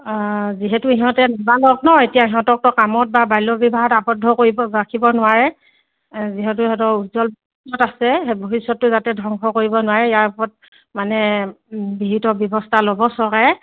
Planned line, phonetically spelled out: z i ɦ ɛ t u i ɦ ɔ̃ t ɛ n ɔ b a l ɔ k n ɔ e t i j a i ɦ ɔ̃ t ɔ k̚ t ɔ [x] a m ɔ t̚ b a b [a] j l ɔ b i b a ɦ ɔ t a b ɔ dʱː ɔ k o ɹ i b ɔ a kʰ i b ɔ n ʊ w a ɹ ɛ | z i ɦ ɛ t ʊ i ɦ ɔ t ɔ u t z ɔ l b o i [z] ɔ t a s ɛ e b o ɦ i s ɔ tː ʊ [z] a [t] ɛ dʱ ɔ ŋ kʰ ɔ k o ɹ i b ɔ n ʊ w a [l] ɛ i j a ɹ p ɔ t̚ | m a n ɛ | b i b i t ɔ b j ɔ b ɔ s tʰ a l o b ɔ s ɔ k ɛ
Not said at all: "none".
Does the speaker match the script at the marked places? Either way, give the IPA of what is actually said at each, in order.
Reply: k, a, s, z, t, ɹ

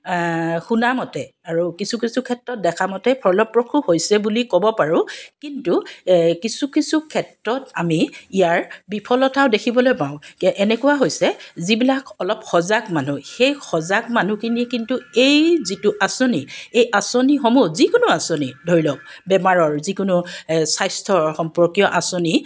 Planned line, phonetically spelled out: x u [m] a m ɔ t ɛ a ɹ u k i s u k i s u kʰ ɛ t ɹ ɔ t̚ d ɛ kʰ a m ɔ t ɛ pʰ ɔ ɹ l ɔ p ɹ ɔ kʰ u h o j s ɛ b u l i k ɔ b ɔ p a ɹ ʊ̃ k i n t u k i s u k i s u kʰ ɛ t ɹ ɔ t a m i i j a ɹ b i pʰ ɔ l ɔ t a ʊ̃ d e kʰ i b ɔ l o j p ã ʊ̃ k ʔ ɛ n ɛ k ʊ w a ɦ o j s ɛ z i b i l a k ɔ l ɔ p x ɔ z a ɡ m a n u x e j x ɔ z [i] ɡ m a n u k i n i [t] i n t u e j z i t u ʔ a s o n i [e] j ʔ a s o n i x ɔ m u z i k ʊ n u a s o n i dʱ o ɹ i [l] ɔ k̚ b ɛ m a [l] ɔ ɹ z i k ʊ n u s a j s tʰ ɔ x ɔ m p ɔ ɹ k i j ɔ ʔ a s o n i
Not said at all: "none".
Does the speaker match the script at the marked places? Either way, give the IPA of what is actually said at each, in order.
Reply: n, a, k, e, l, ɹ

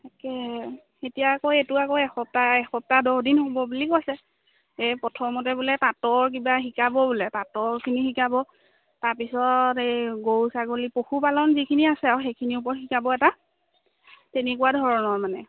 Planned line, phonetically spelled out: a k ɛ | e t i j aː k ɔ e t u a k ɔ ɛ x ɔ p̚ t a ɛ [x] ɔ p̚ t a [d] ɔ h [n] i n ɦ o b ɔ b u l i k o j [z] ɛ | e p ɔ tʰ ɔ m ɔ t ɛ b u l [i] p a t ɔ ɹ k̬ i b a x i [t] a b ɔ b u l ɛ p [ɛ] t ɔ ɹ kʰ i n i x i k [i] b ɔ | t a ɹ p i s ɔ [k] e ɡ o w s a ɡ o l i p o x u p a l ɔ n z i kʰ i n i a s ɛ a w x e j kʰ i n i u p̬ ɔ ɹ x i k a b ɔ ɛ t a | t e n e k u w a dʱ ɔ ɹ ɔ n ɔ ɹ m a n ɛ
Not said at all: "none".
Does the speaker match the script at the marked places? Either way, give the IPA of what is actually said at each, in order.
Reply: x, d, d, s, ɛ, k, a, a, t

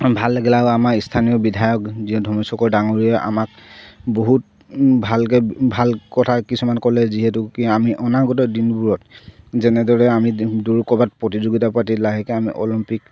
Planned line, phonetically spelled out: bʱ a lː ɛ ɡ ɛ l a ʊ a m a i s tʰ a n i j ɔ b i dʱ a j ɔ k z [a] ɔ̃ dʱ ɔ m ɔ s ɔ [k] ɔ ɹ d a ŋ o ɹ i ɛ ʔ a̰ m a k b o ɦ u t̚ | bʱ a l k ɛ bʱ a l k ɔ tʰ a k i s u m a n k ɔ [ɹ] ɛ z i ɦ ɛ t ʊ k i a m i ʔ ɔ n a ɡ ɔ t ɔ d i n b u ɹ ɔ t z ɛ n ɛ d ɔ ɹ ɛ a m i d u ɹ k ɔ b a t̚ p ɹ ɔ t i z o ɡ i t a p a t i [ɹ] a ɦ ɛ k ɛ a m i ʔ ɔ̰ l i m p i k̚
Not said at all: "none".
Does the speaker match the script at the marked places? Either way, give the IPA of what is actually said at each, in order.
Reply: i, k, l, l

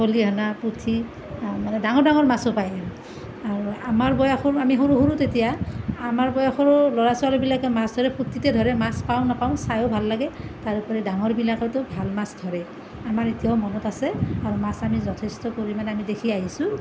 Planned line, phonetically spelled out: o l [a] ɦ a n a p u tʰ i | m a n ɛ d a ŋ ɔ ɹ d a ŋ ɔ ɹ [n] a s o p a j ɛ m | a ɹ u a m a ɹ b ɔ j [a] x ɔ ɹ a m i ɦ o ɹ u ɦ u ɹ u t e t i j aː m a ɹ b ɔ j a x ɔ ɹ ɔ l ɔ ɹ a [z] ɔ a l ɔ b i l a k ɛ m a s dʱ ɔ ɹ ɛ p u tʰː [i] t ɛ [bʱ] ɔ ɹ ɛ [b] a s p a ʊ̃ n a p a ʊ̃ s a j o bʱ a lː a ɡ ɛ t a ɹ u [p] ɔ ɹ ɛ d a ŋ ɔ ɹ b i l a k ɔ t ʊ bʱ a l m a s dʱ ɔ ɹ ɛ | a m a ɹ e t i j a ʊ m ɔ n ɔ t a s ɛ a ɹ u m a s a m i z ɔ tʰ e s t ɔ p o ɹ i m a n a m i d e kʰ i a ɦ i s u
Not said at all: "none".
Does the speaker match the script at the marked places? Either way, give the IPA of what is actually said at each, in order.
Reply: i, m, a, s, i, dʱ, m, p

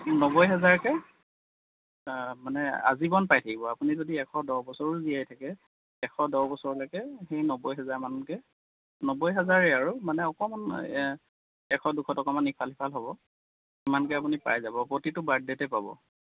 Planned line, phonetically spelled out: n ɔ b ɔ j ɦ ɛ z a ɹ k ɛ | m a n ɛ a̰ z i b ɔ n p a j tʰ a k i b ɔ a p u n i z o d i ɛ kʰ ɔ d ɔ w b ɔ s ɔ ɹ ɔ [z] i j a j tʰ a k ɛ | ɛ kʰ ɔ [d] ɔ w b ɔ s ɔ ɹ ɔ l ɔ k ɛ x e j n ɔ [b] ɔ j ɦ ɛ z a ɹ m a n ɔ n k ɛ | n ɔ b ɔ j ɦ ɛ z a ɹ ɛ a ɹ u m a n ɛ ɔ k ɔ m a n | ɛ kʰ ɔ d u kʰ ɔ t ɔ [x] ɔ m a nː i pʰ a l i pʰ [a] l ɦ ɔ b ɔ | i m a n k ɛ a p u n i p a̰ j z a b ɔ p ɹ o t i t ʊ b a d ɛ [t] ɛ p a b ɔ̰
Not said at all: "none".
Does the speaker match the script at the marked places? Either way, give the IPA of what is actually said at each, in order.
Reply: z, d, b, k, a, t

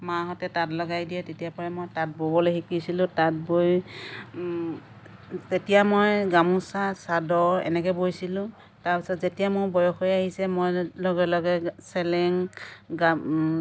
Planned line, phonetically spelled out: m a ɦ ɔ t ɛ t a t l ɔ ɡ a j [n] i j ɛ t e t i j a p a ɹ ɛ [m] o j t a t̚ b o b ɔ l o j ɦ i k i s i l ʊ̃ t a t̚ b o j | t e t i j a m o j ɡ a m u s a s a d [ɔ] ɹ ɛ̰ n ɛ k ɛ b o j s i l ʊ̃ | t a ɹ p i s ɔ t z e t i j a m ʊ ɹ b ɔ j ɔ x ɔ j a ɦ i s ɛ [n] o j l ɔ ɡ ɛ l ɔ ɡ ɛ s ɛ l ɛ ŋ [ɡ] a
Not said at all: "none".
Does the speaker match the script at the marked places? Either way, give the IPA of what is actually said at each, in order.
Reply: d, m, ɔ, m, ɡ

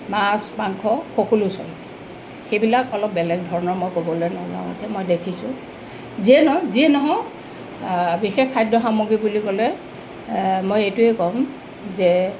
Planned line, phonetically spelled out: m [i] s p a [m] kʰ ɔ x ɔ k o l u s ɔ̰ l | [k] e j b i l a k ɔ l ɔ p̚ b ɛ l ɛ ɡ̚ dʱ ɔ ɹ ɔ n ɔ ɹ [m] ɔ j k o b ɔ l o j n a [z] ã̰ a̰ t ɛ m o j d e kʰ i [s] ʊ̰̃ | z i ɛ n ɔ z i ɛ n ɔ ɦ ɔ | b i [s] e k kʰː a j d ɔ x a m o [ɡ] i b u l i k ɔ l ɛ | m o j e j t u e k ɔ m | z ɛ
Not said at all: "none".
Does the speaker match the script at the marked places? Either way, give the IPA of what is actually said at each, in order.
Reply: a, ŋ, x, m, z, s, x, ɡ

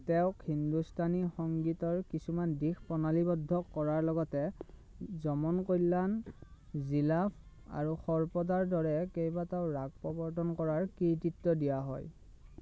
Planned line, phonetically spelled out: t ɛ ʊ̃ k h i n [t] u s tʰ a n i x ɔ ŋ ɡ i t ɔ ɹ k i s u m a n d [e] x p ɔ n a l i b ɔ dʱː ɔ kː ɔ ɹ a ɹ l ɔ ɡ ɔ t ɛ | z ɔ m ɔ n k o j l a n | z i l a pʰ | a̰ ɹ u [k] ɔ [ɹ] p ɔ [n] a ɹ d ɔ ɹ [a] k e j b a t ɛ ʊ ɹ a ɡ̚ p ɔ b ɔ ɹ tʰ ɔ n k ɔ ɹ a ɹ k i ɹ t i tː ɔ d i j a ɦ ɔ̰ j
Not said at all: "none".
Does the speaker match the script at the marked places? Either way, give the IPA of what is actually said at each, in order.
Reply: d, i, x, ɹ, d, ɛ

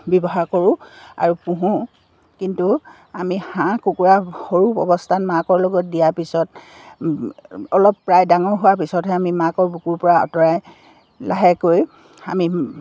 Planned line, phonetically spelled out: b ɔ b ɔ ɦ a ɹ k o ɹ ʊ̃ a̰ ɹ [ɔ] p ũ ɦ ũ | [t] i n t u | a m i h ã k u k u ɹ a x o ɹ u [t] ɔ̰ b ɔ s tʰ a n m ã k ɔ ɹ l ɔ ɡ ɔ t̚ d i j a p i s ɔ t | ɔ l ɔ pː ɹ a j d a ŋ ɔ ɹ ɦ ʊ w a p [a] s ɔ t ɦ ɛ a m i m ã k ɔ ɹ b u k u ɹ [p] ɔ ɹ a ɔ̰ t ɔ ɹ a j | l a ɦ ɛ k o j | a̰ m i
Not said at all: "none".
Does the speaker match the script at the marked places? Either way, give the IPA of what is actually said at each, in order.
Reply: u, k, p, i, p

